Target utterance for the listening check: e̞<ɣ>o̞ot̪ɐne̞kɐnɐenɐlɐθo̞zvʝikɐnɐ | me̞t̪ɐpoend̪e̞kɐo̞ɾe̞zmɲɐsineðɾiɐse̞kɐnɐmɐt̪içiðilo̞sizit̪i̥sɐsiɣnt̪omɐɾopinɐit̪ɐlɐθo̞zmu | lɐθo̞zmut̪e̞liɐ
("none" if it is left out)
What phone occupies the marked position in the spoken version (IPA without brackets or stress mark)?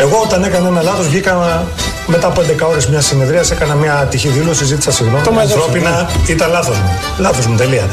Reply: ɣ